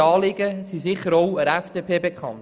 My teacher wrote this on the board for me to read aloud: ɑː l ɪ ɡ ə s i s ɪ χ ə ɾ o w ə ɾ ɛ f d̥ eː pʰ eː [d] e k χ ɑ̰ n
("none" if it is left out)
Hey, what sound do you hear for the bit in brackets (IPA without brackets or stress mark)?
b